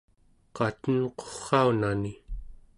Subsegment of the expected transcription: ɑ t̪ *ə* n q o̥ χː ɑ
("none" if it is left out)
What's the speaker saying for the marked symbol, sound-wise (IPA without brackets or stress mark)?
ə